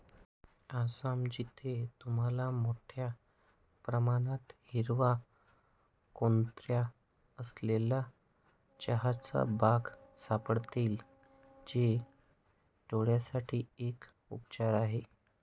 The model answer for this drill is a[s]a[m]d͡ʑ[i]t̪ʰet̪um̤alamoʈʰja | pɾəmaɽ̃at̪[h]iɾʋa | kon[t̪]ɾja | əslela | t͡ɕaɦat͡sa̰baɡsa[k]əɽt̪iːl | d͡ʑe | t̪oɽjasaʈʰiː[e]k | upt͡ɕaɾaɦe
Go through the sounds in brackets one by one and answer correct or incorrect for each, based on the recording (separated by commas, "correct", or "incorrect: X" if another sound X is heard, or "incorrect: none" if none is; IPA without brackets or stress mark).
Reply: correct, correct, correct, correct, correct, incorrect: p, correct